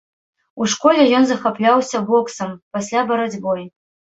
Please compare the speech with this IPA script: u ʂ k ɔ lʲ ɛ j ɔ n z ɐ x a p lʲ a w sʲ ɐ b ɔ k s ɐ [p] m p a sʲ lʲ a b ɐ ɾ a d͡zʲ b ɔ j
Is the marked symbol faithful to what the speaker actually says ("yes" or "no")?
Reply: no